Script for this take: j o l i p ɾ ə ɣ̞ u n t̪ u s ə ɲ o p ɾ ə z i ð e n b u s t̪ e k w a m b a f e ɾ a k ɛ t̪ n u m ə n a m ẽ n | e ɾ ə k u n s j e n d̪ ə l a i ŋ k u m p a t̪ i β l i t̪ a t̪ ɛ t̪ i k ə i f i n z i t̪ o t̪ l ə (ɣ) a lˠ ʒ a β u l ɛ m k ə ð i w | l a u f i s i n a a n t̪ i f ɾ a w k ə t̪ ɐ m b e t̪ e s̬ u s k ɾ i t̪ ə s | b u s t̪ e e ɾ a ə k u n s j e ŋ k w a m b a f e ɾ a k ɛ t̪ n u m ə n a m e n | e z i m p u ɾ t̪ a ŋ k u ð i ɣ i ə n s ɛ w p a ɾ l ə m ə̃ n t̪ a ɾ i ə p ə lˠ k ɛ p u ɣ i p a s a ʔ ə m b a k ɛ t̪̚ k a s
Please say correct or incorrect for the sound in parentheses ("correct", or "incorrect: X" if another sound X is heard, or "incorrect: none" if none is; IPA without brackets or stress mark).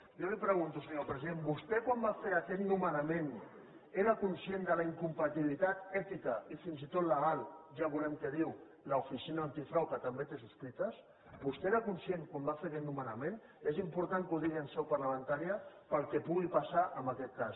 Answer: correct